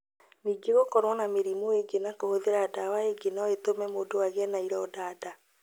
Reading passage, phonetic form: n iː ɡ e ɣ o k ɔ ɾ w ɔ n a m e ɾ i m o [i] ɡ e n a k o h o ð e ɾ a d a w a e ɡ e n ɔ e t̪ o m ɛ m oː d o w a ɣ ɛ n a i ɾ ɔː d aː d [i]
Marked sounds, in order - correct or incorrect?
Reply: incorrect: e, incorrect: a

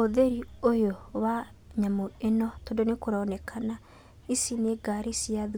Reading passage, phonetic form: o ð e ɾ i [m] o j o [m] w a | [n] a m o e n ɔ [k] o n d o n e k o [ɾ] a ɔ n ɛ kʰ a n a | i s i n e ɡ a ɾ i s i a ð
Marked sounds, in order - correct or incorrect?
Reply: incorrect: none, incorrect: none, incorrect: ɲ, incorrect: t, correct

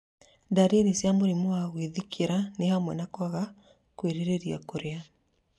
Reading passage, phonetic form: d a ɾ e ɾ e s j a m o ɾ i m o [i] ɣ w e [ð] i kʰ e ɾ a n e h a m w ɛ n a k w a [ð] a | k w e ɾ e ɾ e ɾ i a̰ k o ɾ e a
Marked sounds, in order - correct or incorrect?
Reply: incorrect: a, correct, incorrect: ɣ

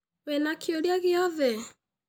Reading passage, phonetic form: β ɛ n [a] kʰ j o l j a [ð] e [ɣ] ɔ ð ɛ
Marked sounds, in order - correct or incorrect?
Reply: correct, incorrect: ɣ, incorrect: none

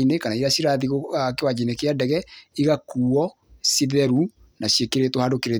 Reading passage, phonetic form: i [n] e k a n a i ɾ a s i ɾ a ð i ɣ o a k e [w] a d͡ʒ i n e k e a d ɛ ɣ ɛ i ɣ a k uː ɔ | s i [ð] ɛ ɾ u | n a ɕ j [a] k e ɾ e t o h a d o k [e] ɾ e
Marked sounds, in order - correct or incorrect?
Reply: correct, correct, correct, incorrect: e, correct

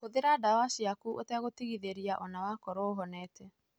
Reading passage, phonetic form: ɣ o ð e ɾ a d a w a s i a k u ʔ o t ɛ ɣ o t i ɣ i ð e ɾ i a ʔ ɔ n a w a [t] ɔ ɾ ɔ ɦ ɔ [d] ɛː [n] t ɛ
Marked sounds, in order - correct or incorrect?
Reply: incorrect: k, incorrect: n, incorrect: none

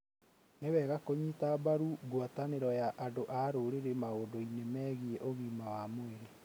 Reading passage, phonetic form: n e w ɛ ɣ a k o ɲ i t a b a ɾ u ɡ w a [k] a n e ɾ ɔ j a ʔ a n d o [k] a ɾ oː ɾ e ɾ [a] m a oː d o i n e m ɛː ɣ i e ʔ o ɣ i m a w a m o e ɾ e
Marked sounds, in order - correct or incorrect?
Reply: incorrect: t, incorrect: ʔ, incorrect: e

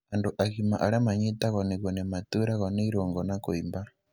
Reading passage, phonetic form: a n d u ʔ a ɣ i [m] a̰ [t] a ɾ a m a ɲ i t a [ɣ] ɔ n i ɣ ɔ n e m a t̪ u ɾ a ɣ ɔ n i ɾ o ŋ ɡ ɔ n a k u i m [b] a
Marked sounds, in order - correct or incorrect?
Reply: correct, incorrect: ʔ, correct, correct

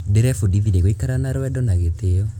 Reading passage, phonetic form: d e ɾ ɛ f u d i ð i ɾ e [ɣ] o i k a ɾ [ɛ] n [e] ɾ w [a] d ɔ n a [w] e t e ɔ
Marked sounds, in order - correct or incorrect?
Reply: correct, incorrect: a, incorrect: a, incorrect: ɛ, incorrect: ɣ

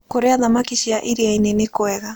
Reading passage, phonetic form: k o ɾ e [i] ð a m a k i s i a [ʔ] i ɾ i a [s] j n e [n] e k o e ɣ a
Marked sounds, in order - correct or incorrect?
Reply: incorrect: a, correct, incorrect: none, correct

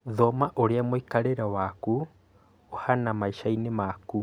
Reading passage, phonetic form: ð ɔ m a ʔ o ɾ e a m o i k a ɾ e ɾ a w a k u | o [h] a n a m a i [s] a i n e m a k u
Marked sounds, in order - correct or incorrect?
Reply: correct, incorrect: ʃ

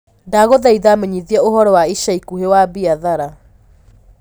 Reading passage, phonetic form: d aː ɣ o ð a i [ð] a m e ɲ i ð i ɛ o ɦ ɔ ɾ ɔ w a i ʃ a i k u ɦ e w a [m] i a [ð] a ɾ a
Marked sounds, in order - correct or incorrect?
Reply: correct, incorrect: b, correct

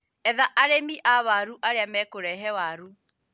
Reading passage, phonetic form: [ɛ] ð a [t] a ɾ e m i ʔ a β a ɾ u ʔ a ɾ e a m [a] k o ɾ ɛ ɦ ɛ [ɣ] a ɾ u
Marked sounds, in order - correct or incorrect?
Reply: correct, incorrect: ʔ, incorrect: ɛ, incorrect: w

